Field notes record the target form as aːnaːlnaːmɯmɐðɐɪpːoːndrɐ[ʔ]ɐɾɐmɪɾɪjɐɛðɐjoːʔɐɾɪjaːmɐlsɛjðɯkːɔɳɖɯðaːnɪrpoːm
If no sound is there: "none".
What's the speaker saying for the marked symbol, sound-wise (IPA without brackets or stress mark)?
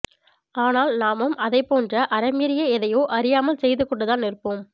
ʔ